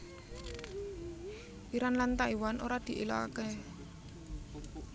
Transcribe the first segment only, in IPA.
i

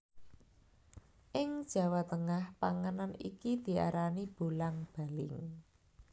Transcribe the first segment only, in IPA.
ʔ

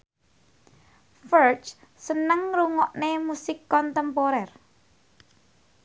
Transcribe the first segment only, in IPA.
f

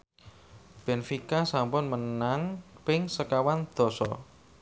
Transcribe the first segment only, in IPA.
b̥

